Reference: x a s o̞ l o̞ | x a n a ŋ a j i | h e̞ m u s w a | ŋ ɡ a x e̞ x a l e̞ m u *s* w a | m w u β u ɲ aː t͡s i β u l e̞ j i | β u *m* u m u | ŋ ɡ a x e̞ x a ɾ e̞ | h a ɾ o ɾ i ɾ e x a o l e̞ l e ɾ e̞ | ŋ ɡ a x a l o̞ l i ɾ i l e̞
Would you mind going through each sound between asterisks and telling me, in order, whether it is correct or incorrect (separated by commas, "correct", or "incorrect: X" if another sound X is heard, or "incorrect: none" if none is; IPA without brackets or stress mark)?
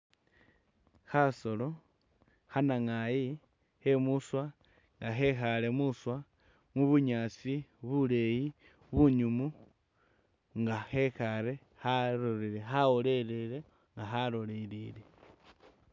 correct, incorrect: ɲ